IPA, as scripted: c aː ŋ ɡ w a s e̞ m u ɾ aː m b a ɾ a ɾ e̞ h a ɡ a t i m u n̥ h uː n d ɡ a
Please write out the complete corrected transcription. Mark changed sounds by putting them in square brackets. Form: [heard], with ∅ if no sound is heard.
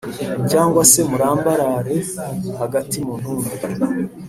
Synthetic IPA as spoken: c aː ŋ ɡ w a s e̞ m u ɾ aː m b a ɾ a ɾ e̞ h a ɡ a t i m u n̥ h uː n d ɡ a